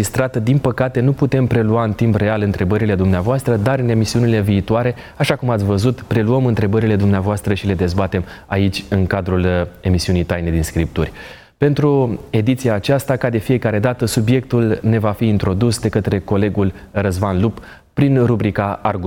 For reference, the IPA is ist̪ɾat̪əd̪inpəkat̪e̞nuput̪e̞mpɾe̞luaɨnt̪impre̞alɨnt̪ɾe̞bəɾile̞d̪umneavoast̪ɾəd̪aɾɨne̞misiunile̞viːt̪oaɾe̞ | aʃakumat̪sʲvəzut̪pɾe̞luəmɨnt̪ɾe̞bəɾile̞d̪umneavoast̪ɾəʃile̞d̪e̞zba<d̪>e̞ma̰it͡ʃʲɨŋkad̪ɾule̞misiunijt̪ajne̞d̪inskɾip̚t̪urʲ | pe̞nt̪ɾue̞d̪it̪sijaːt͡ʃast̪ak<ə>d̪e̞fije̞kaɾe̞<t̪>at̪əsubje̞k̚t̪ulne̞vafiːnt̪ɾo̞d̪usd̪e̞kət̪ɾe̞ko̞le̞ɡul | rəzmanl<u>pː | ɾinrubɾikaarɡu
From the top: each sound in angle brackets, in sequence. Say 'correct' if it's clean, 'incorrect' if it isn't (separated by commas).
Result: incorrect, incorrect, incorrect, correct